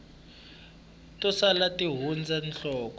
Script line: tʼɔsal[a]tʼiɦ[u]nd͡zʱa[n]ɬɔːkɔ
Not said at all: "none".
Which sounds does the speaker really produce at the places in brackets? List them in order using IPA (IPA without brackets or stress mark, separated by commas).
a, u, n